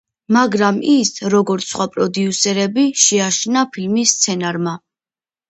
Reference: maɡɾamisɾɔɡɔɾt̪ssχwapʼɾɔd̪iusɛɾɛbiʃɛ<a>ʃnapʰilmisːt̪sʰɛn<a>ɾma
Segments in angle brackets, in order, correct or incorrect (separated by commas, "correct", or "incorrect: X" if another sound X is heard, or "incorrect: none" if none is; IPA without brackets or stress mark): correct, correct